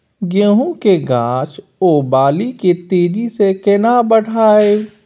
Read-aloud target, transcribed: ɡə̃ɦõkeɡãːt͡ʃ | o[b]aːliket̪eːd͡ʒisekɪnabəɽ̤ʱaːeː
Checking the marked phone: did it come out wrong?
no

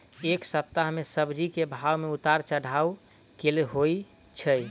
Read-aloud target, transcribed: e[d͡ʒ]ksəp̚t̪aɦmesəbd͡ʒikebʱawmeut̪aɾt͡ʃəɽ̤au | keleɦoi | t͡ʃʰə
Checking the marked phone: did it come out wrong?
yes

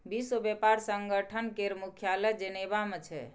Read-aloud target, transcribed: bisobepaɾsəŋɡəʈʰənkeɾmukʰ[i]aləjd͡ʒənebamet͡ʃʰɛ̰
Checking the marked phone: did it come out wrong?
yes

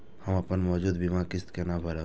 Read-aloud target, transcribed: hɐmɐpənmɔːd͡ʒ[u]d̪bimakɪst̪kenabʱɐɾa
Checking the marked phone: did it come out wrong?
yes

